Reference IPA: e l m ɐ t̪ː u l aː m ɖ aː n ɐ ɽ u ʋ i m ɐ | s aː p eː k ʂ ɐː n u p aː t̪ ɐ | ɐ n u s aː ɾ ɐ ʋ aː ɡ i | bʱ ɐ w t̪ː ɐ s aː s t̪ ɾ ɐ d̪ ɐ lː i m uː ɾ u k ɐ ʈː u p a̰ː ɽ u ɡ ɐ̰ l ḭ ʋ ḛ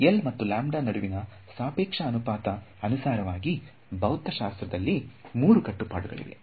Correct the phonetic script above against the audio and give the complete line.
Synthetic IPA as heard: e l m ɐ t̪ː u l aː m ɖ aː n ɐ ɽ u ʋ i n ɐ | s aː p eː k ʂ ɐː n u p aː t̪ ɐ | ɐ n u s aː ɾ ɐ ʋ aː ɡ i | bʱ ɐ w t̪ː ɐ ʃ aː s t̪ ɾ ɐ d̪ ɐ lː i m uː ɾ u k ɐ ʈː u p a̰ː ɽ u ɡ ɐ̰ ɭ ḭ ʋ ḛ